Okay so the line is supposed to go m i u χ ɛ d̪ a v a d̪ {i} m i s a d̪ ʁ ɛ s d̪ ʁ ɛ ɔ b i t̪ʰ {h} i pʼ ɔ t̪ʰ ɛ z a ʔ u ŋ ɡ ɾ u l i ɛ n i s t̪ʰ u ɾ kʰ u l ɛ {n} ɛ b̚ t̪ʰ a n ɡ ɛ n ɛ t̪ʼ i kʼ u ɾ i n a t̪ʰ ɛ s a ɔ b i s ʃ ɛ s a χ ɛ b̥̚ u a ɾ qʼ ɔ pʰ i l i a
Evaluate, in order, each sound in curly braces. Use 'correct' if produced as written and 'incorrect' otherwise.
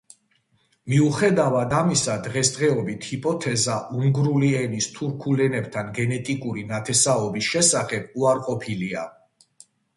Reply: incorrect, correct, correct

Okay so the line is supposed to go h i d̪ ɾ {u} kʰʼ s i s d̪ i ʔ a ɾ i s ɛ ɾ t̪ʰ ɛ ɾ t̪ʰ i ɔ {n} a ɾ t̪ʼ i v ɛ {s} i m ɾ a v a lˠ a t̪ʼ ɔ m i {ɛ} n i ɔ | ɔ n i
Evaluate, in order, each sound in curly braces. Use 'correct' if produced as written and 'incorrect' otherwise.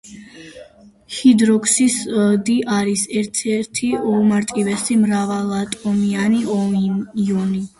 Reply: incorrect, incorrect, correct, incorrect

